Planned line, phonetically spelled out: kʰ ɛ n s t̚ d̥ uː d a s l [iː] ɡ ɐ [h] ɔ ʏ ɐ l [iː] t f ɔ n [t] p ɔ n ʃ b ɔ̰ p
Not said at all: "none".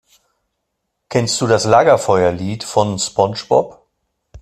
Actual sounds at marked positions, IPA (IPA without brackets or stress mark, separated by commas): aː, f, iː, s